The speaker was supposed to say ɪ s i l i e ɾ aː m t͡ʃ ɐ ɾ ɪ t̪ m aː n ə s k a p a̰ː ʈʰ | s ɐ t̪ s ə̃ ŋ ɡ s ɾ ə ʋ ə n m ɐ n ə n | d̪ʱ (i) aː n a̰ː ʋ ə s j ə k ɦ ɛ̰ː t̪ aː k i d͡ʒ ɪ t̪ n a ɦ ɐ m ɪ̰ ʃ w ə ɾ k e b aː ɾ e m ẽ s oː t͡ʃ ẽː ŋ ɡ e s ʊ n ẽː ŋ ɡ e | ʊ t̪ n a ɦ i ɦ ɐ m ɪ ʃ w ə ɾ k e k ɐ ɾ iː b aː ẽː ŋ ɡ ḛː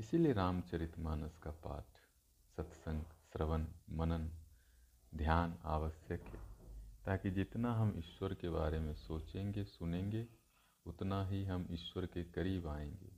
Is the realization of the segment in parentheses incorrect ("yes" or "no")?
yes